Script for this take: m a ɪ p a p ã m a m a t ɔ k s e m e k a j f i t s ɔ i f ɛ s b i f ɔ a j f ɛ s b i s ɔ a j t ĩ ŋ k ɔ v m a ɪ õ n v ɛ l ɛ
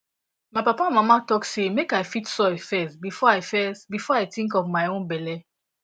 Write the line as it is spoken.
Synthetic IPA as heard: m a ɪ p a p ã m a m a t ɔ k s e m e k a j f i t s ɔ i f ɛ s b i f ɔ a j f ɛ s b i f ɔ a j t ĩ ŋ k ɔ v m a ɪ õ n b ɛ l ɛ